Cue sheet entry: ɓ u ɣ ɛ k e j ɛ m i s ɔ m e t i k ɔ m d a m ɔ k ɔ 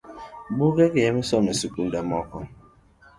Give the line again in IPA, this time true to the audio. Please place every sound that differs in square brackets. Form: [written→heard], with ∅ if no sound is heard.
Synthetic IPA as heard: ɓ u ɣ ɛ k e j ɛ m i s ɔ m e [t→s] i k [ɔ→u] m d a m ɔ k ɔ